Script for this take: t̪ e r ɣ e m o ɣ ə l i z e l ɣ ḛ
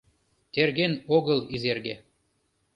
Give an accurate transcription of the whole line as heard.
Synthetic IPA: t̪ e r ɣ e n o ɣ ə l i z e r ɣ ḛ

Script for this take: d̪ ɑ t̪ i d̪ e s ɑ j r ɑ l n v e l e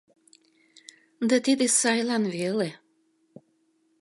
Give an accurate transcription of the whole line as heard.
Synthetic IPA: d̪ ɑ t̪ i d̪ e s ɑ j l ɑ n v e l e

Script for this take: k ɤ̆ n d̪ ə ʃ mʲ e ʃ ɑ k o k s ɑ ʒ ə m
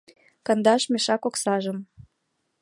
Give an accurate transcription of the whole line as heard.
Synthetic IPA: k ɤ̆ n d̪ ɑ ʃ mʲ e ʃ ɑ k o k s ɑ ʒ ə m

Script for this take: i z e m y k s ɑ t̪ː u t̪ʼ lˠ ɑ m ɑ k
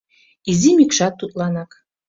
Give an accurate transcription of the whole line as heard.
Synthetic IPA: i z i m i k ʃ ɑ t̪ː u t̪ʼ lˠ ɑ n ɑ k

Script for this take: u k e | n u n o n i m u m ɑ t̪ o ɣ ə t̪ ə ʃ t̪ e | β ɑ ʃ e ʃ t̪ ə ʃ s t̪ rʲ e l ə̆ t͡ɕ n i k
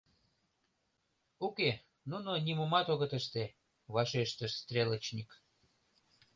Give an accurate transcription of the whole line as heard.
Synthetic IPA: u k e | n u n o n i m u m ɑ t̪ o ɣ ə t̪ ə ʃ t̪ e | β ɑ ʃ e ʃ t̪ ə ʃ s t̪ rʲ e l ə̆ t͡ɕ n i k

